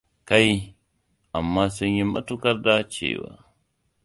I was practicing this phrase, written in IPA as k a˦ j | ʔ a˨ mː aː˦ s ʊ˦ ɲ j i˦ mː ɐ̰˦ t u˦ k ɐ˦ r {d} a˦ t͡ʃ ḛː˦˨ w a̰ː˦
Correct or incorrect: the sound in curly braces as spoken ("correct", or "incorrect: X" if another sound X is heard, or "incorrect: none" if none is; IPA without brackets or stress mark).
correct